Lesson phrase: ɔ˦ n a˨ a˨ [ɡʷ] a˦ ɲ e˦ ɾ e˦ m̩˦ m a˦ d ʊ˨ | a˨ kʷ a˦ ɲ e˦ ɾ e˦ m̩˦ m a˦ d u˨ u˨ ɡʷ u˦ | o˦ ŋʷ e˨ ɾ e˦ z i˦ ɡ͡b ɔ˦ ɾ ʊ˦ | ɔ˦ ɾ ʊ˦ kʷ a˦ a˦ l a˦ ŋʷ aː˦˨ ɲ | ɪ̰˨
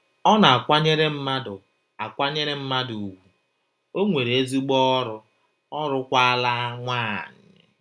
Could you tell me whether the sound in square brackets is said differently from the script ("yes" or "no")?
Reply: yes